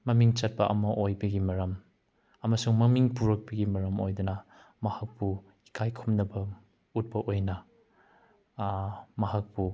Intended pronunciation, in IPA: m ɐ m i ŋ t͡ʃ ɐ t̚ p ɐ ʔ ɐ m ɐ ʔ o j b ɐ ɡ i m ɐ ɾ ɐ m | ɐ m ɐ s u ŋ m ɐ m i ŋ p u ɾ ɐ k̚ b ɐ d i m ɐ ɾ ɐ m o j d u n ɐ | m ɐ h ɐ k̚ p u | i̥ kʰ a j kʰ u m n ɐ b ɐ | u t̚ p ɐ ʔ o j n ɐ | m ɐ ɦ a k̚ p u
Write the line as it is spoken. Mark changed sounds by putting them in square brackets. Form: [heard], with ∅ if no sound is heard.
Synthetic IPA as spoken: m ɐ m i ŋ t͡ʃ ɐ t̚ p ɐ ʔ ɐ m ɐ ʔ o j b ɐ ɡ i m ɐ ɾ ɐ m | ɐ m ɐ s u ŋ m ɐ m i ŋ p u ɾ ɐ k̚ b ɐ [ɡ] i m ɐ ɾ ɐ m o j d u n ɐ | m ɐ h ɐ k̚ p u | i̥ kʰ a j kʰ u m n ɐ b ɐ | u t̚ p ɐ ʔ o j n ɐ | m ɐ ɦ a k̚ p u

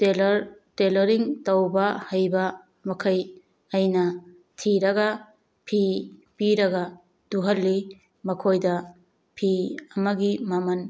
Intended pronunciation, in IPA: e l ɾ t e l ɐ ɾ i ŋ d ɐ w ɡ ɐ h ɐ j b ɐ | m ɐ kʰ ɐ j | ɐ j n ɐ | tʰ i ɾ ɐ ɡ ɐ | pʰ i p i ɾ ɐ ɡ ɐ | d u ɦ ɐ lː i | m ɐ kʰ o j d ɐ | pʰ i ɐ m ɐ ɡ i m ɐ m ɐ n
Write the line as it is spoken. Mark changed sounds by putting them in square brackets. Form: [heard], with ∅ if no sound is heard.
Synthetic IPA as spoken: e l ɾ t e l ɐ ɾ i ŋ [t] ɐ w [b] ɐ h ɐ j b ɐ | m ɐ kʰ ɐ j | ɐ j n ɐ | tʰ i ɾ ɐ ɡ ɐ | pʰ i p i ɾ ɐ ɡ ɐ | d u ɦ ɐ lː i | m ɐ kʰ o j d ɐ | pʰ i ɐ m ɐ ɡ i m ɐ m ɐ n

